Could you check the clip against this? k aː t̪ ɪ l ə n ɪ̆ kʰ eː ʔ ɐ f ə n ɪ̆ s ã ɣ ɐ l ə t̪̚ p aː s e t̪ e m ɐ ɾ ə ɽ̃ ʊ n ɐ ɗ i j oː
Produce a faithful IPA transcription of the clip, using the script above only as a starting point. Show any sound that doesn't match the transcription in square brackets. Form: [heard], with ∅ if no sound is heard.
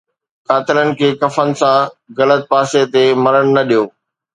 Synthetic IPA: k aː t̪ ɪ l ə n ɪ̆ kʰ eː [k] ɐ f ə n ɪ̆ s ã ɣ ɐ l ə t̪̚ p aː s e t̪ e m ɐ ɾ ə ɽ̃ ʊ n ɐ ɗ i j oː

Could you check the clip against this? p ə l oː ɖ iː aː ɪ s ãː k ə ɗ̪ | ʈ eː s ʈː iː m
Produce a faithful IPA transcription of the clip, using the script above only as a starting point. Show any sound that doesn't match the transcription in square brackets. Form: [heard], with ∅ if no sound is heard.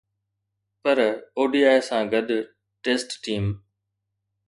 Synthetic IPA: p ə [ɾ] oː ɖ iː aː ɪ s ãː [ɡ] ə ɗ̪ | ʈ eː s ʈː iː m

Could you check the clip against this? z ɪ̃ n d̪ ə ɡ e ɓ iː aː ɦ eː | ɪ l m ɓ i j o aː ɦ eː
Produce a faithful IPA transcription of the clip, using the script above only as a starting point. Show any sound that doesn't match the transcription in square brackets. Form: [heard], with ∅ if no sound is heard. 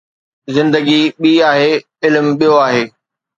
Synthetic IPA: z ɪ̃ n d̪ ə ɡ [i] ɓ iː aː ɦ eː | ɪ l m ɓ i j o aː ɦ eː

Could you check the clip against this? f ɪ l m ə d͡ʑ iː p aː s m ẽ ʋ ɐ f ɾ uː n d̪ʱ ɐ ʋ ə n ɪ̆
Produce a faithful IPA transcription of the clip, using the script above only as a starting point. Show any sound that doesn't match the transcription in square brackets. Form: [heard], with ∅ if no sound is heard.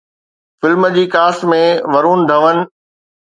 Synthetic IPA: f ɪ l m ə d͡ʑ iː [k] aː s m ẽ ʋ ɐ [∅] ɾ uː n d̪ʱ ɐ ʋ ə n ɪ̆

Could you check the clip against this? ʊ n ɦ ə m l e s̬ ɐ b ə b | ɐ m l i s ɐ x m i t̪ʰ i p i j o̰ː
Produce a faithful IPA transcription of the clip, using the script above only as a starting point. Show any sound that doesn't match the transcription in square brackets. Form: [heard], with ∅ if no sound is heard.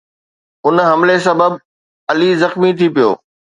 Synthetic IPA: ʊ n ɦ [ɐ] m l e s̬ ɐ b ə b | ɐ [∅] l i [z] ɐ x m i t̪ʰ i p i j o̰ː

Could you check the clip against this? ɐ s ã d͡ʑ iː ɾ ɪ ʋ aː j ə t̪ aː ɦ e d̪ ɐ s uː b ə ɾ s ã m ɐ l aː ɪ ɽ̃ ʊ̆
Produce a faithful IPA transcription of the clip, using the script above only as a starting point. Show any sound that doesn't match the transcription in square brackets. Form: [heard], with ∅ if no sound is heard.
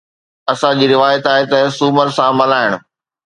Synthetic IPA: ɐ s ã d͡ʑ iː ɾ ɪ ʋ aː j ə t̪ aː ɦ e [t̪] ɐ s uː [m] ə ɾ s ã m ɐ l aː ɪ ɽ̃ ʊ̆

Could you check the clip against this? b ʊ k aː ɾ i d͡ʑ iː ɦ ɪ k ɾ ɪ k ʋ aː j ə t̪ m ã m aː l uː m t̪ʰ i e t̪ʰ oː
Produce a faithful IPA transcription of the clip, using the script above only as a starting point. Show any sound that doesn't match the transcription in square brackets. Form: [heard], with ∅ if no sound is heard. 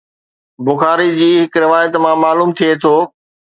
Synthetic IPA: b ʊ [x] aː ɾ i d͡ʑ iː ɦ ɪ k ɾ ɪ [∅] ʋ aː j ə t̪ m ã m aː l uː m t̪ʰ i e t̪ʰ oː

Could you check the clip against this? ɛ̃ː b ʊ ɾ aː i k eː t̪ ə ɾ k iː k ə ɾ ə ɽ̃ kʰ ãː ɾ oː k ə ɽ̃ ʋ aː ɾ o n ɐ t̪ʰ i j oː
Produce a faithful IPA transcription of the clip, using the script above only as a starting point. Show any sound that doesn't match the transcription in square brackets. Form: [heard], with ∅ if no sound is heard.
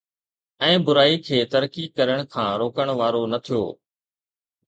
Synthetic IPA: ɛ̃ː b ʊ ɾ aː i [kʰ] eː t̪ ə ɾ k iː k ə ɾ ə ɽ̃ kʰ ãː ɾ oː k ə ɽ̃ ʋ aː ɾ o n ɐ t̪ʰ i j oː

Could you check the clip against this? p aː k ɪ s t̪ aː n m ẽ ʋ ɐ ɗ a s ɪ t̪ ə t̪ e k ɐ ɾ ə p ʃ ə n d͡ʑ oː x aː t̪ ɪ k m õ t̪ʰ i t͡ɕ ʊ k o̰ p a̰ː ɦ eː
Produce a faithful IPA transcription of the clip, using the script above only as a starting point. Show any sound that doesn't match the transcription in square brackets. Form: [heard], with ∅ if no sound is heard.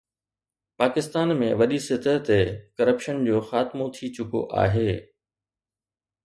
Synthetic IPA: p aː k ɪ s t̪ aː n m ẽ ʋ ɐ ɗ [i] s ɪ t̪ ə t̪ e k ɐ ɾ ə p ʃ ə n d͡ʑ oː x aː t̪ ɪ [∅] m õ t̪ʰ i t͡ɕ ʊ k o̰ [ʔ] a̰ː ɦ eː

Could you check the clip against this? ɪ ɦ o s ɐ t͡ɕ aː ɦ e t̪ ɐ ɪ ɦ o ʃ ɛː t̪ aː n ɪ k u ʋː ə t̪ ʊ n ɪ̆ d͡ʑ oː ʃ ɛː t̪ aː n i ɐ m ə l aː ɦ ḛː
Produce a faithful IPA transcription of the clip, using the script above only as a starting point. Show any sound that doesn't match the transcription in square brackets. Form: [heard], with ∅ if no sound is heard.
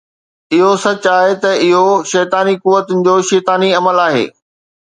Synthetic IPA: ɪ ɦ o s ɐ t͡ɕ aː ɦ e t̪ ɐ ɪ ɦ o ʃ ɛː t̪ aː n [i] k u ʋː ə t̪ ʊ n ɪ̆ d͡ʑ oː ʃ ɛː t̪ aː n i ɐ m ə l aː ɦ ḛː

